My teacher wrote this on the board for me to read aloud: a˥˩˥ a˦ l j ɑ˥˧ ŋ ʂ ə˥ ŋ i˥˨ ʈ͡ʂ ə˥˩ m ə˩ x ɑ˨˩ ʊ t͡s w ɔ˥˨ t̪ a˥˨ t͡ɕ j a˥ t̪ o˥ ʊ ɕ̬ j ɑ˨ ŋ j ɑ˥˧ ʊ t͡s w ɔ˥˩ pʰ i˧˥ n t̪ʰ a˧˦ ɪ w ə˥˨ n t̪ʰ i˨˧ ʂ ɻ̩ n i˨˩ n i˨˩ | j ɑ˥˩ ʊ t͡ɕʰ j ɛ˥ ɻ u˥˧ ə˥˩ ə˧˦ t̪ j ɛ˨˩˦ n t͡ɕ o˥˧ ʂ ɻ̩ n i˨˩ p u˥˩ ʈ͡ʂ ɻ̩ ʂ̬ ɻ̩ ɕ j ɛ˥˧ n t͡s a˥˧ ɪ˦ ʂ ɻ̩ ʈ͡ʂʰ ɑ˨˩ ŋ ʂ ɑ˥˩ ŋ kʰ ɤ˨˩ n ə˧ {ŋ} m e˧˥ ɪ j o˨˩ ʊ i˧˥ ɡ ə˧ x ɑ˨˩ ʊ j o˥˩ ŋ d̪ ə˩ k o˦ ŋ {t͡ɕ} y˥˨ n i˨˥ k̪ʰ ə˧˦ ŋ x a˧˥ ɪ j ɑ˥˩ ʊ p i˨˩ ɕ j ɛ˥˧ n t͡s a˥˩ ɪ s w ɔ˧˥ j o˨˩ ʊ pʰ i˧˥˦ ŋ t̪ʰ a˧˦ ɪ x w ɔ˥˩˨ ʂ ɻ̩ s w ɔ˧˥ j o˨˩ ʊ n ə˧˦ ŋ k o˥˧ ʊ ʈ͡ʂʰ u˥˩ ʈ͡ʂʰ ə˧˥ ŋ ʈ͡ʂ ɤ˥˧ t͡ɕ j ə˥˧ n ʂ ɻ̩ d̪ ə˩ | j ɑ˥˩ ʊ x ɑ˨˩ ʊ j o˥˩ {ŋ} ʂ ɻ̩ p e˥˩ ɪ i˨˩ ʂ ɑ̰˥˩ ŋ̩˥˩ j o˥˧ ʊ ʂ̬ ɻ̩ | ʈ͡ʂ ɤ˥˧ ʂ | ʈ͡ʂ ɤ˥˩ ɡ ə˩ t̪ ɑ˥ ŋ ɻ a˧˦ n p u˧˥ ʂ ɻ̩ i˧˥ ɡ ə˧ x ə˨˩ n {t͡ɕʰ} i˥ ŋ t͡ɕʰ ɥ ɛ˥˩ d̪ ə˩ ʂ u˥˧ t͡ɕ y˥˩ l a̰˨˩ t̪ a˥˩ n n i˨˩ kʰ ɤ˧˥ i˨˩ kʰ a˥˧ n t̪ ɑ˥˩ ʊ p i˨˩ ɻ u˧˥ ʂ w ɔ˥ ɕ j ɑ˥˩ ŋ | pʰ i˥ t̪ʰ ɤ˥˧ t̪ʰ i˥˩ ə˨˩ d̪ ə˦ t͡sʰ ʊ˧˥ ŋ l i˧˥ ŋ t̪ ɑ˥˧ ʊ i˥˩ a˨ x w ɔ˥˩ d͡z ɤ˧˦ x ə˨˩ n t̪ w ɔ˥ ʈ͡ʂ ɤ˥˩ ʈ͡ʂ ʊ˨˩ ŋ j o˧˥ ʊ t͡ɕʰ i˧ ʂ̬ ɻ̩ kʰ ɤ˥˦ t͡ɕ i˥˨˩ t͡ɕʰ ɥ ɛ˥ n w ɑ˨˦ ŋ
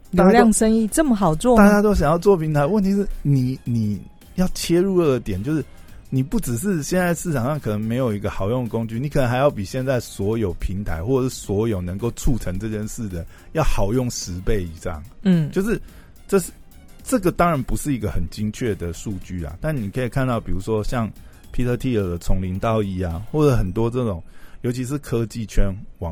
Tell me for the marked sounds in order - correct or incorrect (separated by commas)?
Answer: correct, correct, correct, incorrect